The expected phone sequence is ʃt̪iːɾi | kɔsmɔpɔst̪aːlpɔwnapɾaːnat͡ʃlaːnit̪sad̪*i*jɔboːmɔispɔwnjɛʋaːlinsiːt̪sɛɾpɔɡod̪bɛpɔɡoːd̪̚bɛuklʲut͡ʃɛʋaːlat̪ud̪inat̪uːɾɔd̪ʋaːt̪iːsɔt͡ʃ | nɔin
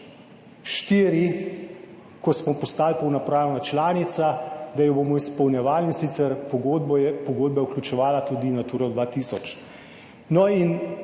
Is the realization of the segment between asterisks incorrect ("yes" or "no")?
yes